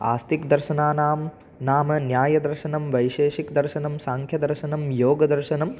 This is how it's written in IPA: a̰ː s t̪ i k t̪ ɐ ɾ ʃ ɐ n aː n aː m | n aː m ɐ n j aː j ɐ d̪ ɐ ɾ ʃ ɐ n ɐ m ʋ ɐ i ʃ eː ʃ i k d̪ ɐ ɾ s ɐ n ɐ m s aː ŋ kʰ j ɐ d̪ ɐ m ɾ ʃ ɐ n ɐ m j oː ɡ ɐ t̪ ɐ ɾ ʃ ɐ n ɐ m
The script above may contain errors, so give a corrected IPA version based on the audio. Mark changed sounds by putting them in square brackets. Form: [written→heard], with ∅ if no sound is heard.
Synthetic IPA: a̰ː s t̪ i k [t̪→d̪] ɐ ɾ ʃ ɐ n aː n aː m | n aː m ɐ n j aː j ɐ d̪ ɐ ɾ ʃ ɐ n ɐ m ʋ ɐ [i→j] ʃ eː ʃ i k d̪ ɐ ɾ [s→ʃ] ɐ n ɐ m s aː ŋ kʰ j ɐ d̪ ɐ [m→∅] ɾ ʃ ɐ n ɐ m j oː ɡ ɐ [t̪→d̪] ɐ ɾ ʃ ɐ n ɐ m

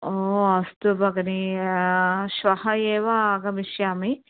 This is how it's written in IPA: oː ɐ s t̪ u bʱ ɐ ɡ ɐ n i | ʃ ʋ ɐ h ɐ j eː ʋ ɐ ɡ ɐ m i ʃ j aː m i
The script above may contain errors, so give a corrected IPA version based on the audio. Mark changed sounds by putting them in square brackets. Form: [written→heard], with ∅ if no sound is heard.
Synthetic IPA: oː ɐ s t̪ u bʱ ɐ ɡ ɐ n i | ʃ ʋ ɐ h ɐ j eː ʋ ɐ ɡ ɐ m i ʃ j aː m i

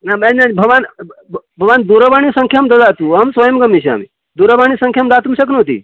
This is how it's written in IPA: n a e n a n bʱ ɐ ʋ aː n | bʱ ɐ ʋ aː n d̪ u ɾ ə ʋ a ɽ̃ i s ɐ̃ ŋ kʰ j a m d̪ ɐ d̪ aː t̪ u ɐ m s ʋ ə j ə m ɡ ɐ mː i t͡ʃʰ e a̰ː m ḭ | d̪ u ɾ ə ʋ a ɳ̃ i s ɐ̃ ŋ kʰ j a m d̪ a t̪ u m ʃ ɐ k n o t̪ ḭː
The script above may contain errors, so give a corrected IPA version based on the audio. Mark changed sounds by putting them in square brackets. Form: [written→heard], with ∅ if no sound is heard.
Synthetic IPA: n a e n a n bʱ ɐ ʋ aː n | bʱ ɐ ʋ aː n d̪ u ɾ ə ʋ a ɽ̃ i s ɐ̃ ŋ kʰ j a m d̪ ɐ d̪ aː t̪ u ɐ m s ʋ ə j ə m ɡ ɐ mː i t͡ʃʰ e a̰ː m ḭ | d̪ u ɾ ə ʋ a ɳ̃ i s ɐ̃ ŋ kʰ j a m d̪ a t̪ u m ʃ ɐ k n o t̪ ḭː

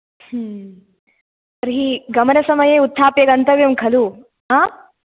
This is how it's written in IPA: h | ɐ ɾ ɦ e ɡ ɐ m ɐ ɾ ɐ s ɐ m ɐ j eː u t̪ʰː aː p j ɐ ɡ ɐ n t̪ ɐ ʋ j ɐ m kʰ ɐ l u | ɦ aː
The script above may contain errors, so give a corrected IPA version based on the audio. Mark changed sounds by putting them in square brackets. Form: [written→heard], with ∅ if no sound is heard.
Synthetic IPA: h | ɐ ɾ ɦ [e→i] ɡ ɐ m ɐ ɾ ɐ s ɐ m ɐ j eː u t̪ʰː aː p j ɐ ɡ ɐ n t̪ ɐ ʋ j ɐ m kʰ ɐ l u | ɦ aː

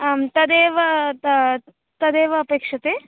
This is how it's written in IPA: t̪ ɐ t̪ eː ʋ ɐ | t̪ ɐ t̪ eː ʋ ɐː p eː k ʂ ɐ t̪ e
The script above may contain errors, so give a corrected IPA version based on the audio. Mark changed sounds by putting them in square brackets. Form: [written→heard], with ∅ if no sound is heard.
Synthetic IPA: t̪ ɐ [t̪→d̪] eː ʋ ɐ | t̪ ɐ [t̪→d̪] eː ʋ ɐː p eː k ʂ ɐ t̪ e

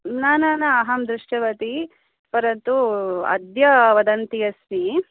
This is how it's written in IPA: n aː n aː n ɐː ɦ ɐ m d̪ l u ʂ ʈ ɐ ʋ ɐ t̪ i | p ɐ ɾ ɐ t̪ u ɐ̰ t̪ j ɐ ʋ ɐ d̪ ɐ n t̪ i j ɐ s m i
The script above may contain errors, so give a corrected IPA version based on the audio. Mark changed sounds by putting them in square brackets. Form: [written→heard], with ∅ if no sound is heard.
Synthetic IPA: n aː n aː n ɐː ɦ ɐ m d̪ [l→ɾ] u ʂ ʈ ɐ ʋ ɐ t̪ i | p ɐ ɾ ɐ t̪ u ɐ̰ [t̪→d̪] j ɐ ʋ ɐ d̪ ɐ n t̪ i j ɐ s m i

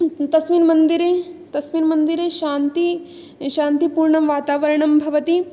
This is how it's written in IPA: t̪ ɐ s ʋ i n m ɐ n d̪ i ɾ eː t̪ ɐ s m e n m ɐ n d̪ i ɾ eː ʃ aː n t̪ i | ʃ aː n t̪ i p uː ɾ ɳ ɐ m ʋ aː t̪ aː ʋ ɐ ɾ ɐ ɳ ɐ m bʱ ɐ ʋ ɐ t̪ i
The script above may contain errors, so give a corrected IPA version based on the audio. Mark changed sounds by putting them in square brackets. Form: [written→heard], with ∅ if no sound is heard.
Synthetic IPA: t̪ ɐ s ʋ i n m ɐ n d̪ i ɾ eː t̪ ɐ s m [e→i] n m ɐ n d̪ i ɾ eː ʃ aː n t̪ i | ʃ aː n t̪ i p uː ɾ ɳ ɐ m ʋ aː t̪ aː ʋ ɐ ɾ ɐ ɳ ɐ m bʱ ɐ ʋ ɐ t̪ i

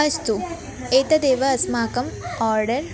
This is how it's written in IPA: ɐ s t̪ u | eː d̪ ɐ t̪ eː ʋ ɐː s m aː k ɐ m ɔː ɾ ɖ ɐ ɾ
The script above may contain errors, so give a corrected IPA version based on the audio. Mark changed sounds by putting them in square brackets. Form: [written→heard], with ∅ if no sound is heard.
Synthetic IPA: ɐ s t̪ u | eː [d̪→t̪] ɐ [t̪→d̪] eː ʋ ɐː s m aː k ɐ m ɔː ɾ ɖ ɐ ɾ

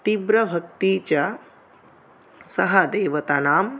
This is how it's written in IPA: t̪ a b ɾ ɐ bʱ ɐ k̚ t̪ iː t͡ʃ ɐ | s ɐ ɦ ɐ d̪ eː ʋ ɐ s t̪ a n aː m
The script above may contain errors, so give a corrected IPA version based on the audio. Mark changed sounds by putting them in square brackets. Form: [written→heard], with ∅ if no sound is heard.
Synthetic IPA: t̪ [a→i] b ɾ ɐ bʱ ɐ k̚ t̪ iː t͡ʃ ɐ | s ɐ ɦ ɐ d̪ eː ʋ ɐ [s→∅] t̪ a n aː m

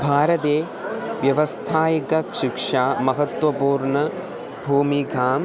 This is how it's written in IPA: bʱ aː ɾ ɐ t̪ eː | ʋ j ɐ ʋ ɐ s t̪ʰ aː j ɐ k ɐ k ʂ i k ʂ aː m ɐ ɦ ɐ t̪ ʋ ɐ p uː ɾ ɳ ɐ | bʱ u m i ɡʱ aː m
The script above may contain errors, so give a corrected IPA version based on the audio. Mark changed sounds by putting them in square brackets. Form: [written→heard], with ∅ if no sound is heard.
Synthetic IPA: bʱ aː ɾ ɐ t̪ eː | ʋ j ɐ ʋ ɐ s t̪ʰ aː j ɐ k ɐ k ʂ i k ʂ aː m ɐ ɦ ɐ t̪ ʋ ɐ p uː ɾ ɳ ɐ | bʱ [u→uː] m i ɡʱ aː m

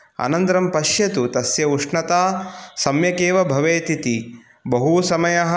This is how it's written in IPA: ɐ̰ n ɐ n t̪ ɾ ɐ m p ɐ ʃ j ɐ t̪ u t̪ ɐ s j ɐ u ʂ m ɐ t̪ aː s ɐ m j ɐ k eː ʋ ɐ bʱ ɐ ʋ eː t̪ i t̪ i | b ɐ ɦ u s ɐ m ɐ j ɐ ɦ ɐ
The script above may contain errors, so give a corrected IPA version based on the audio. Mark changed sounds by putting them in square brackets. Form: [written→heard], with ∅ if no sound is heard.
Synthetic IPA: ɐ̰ n ɐ n t̪ ɾ ɐ m p ɐ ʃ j ɐ t̪ u t̪ ɐ s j ɐ u ʂ [m→ɳ] ɐ t̪ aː s ɐ m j ɐ k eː ʋ ɐ bʱ ɐ ʋ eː t̪ i t̪ i | b ɐ ɦ u s ɐ m ɐ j ɐ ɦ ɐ

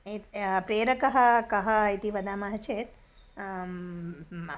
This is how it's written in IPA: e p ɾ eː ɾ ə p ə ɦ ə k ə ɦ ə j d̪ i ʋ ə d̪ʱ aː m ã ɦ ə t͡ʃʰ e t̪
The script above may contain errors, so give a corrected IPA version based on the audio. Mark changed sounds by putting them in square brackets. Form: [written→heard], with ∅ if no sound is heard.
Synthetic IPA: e p ɾ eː ɾ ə [p→k] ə ɦ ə k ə ɦ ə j [d̪→t̪] i ʋ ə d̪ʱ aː m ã ɦ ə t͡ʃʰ e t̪

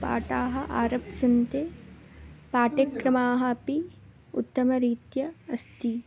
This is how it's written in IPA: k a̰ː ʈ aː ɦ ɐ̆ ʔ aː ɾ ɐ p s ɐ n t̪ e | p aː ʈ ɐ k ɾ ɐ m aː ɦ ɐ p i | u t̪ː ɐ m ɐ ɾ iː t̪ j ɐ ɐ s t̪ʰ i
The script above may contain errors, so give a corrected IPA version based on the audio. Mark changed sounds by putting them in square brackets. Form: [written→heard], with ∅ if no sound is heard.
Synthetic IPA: [k→p] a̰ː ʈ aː ɦ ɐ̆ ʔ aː ɾ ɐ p s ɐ n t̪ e | p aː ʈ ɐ k ɾ ɐ m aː ɦ ɐ p i | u t̪ː ɐ m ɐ ɾ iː t̪ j ɐ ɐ s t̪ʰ i

